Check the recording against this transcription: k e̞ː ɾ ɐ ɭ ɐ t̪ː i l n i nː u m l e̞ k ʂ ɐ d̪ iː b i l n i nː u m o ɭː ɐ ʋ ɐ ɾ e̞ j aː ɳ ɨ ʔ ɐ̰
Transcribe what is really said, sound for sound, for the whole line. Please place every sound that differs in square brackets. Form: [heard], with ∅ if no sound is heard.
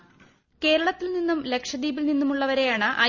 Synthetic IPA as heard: k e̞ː ɾ ɐ ɭ ɐ t̪ː i l n i nː u m l e̞ k ʂ ɐ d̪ iː b i l n i nː u m [u] ɭː ɐ ʋ ɐ ɾ e̞ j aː ɳ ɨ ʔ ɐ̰